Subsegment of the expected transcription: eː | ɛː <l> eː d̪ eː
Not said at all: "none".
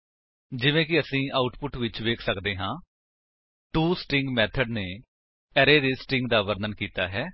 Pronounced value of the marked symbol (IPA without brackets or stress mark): ɾ